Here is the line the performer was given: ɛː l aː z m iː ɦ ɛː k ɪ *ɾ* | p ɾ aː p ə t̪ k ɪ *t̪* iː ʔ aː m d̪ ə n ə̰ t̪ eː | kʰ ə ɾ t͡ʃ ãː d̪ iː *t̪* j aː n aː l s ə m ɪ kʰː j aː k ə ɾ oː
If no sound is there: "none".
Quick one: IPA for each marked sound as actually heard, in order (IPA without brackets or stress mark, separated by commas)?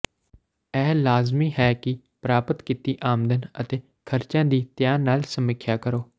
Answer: none, t̪, t̪